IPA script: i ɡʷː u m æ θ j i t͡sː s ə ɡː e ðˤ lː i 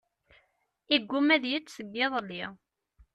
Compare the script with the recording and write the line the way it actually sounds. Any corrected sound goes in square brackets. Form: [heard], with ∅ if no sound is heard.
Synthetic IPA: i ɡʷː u m æ [ð] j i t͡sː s ə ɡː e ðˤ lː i